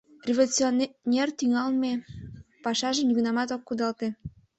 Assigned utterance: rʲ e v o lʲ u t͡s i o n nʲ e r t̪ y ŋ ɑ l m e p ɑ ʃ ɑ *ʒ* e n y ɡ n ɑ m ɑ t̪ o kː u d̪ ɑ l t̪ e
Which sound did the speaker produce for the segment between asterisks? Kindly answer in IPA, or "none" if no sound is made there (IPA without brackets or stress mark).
ʒ